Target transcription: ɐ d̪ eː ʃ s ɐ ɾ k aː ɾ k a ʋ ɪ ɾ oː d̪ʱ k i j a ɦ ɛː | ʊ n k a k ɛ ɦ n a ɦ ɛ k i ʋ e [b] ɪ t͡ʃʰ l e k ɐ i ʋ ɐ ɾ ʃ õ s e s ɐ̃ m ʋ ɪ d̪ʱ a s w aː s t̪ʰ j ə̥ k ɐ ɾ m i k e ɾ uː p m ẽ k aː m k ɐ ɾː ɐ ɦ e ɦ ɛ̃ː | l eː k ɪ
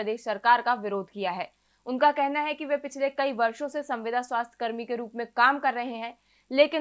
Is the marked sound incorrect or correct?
incorrect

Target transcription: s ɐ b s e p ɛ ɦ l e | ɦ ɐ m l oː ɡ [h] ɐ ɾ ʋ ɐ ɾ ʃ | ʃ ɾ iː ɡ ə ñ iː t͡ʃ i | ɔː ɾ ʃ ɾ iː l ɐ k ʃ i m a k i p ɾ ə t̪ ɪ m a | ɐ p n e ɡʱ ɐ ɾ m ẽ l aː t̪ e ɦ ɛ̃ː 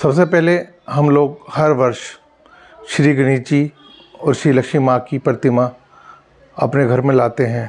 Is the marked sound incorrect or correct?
correct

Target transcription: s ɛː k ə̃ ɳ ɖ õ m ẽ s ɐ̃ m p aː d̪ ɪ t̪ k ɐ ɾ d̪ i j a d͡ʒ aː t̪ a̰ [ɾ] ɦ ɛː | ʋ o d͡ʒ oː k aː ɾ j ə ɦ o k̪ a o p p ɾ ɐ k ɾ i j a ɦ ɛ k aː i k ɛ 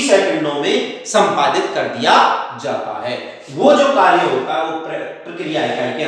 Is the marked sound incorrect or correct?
incorrect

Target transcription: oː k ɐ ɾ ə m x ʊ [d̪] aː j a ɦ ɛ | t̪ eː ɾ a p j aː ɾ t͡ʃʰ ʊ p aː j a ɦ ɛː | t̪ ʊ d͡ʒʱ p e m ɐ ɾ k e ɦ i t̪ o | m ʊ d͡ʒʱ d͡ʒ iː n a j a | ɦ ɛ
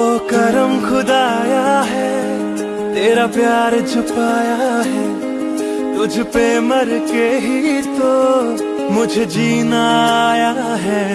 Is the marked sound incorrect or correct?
correct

